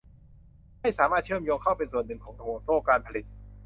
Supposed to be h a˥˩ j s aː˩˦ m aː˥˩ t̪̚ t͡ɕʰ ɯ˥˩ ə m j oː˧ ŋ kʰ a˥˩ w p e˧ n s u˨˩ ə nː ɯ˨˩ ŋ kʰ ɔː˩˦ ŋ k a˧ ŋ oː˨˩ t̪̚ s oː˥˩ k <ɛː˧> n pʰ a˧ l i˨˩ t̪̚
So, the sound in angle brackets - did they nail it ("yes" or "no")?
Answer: no